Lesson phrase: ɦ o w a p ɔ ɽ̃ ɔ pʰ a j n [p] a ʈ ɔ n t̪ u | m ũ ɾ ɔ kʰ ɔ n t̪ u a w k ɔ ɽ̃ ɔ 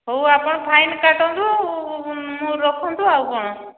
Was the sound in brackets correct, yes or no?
no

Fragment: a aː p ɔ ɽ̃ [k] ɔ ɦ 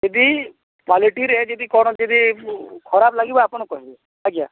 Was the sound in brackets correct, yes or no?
yes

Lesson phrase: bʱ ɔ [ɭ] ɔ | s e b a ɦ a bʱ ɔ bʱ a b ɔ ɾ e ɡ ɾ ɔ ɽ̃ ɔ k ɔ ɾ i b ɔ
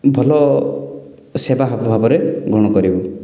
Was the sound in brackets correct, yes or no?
no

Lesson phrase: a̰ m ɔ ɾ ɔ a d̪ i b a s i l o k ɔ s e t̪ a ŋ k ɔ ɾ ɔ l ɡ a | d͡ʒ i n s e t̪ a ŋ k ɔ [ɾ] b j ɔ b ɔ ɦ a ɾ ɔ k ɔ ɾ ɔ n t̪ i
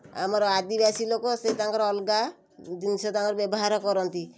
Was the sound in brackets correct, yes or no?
yes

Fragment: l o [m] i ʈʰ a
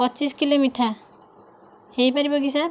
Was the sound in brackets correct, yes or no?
yes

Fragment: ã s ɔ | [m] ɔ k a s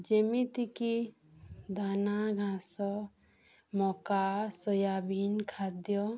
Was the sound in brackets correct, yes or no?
yes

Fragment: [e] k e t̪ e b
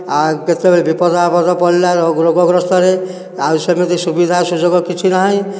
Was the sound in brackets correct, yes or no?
no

